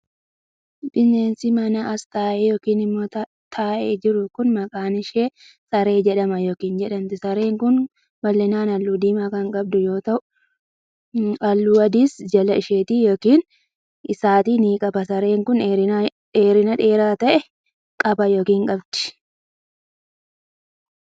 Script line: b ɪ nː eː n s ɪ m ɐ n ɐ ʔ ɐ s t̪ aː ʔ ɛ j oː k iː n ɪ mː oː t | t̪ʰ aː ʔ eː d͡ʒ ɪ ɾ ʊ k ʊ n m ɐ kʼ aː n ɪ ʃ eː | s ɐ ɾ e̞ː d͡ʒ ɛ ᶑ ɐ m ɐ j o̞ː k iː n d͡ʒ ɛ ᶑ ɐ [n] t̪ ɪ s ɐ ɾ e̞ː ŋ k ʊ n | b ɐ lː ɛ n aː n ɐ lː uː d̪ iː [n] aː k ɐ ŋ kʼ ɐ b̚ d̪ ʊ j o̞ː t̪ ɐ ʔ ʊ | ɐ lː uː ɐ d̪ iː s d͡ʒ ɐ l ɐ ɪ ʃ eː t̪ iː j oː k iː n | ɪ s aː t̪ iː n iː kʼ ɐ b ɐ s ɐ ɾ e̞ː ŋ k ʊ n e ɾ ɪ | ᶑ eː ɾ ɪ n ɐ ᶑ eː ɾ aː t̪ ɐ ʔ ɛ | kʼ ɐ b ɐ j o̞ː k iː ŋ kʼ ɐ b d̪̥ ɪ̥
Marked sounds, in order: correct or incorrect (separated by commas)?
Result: correct, incorrect